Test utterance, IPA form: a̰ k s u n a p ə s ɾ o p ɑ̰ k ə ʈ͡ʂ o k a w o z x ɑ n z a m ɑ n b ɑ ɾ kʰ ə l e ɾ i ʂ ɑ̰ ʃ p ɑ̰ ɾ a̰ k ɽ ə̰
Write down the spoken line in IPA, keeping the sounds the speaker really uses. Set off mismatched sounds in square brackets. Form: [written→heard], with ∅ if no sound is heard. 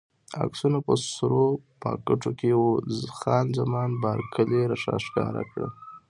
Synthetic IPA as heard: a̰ k s u n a p ə s ɾ o p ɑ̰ k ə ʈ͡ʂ o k [a→e] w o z x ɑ n z a m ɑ n b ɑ ɾ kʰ ə l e ɾ [i→a] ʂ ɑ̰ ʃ [p→k] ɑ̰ ɾ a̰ k ɽ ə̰